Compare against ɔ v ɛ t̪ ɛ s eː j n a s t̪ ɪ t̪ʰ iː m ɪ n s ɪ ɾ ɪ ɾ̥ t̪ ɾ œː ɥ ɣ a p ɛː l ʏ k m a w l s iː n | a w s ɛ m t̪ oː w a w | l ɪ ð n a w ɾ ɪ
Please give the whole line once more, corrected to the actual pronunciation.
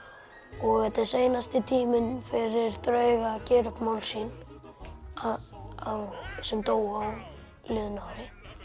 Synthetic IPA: ɔ ɣ ɛ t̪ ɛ s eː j n a s t̪ ɪ t̪ʰ iː m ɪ n f ɪ ɾ ɪ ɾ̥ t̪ ɾ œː ɥ ɣ a c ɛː ɾ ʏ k m a w l s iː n | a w s ɛ m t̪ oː w a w | l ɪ ð n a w ɾ ɪ